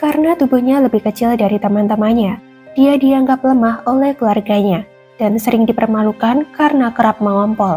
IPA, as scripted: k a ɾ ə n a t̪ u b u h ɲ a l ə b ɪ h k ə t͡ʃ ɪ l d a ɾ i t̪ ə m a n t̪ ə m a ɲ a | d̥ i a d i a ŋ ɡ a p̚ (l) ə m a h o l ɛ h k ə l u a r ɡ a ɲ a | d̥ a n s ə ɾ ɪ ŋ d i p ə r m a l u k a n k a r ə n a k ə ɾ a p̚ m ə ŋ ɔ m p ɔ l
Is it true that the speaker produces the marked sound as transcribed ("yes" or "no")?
yes